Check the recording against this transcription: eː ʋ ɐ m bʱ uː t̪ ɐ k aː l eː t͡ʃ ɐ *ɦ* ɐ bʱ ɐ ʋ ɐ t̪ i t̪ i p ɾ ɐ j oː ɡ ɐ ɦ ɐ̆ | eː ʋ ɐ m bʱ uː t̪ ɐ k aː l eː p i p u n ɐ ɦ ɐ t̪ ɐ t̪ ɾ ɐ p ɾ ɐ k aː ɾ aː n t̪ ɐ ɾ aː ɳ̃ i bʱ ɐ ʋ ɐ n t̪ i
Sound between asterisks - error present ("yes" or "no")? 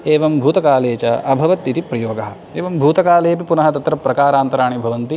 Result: yes